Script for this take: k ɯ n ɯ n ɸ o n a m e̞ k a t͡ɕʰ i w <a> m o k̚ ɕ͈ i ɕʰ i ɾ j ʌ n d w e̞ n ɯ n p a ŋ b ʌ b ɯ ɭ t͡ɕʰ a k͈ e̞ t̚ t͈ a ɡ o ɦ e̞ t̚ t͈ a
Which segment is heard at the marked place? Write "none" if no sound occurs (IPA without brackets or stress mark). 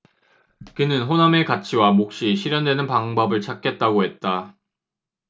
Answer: a